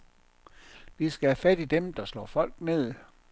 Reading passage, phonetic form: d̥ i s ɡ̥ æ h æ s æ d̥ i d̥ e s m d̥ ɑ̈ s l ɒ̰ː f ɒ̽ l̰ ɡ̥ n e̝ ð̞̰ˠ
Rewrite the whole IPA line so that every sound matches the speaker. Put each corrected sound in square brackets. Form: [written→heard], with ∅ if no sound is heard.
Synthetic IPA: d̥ i s ɡ̥ æ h æ [s→f] æ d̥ i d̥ e [s→∅] m d̥ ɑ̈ s l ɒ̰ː f ɒ̽ l̰ ɡ̥ n e̝ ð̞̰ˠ